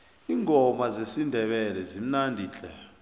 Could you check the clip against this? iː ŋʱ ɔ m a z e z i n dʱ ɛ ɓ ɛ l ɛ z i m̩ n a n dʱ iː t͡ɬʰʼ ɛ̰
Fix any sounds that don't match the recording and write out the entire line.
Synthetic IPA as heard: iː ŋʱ ɔ m a z e s i n dʱ ɛ ɓ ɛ l ɛ z i m̩ n a n dʱ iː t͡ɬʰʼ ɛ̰